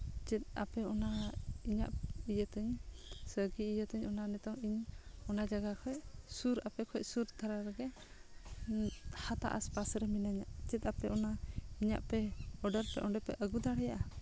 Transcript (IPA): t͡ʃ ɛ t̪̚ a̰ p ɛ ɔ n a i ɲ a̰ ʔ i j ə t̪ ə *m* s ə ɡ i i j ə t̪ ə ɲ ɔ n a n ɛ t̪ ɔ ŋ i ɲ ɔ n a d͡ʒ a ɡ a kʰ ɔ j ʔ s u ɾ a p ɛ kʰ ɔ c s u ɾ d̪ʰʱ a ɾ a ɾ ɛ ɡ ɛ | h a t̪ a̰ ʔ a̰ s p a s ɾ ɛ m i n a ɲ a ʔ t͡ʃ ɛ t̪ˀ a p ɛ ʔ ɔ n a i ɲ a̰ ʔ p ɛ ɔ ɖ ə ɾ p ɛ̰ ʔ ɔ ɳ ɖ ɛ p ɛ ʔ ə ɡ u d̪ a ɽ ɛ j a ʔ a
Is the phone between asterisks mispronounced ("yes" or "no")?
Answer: yes